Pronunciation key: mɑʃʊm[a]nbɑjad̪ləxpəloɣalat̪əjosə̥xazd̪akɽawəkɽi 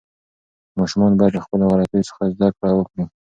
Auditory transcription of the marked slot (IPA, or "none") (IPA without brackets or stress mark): ɑ